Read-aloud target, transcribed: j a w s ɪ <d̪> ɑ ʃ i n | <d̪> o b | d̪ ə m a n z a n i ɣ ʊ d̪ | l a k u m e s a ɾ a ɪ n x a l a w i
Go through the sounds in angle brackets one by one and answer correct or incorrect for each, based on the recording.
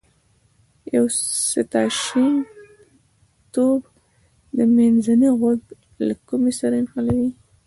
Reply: incorrect: t̪, incorrect: t̪

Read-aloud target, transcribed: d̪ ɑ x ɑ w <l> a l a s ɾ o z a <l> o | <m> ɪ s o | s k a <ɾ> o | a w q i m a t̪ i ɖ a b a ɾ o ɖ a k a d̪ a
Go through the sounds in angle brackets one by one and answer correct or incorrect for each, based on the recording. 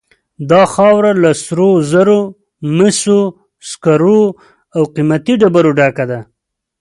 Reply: incorrect: ɾ, incorrect: ɾ, correct, correct

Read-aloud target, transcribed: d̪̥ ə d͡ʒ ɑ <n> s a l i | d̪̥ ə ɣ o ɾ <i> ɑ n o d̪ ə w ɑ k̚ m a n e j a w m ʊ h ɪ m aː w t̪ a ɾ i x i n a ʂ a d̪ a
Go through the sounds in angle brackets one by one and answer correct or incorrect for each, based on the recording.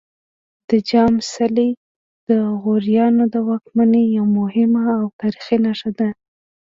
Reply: incorrect: m, incorrect: j

